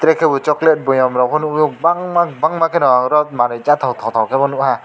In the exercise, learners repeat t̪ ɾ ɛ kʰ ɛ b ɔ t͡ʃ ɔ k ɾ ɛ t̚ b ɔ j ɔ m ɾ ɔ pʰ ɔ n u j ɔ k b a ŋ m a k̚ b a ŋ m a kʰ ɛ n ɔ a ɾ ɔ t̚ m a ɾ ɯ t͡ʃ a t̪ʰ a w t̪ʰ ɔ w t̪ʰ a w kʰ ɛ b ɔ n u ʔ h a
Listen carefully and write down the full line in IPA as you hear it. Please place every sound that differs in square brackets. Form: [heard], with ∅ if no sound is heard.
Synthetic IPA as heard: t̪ ɾ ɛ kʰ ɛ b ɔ t͡ʃ ɔ k [l] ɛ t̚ b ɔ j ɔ m ɾ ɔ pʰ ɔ n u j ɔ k b a ŋ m a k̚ b a ŋ m a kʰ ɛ n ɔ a ɾ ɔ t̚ m a ɾ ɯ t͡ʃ a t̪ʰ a w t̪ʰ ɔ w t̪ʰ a w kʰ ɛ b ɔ n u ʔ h a